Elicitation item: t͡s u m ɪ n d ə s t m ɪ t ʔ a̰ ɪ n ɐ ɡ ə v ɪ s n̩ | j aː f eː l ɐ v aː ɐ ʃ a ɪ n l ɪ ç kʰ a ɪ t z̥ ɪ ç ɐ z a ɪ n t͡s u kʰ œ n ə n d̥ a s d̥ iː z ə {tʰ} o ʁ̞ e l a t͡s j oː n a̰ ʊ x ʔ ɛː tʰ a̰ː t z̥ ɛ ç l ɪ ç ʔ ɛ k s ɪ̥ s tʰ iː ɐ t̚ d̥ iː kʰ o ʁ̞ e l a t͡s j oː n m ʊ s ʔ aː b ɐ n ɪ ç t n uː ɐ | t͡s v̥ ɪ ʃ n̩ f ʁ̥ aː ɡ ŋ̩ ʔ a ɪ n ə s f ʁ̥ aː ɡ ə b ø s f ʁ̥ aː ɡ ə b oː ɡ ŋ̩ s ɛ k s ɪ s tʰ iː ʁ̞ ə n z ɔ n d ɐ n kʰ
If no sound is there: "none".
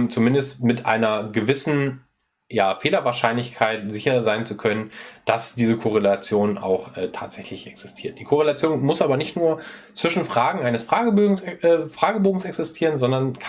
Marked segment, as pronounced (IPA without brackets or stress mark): kʰ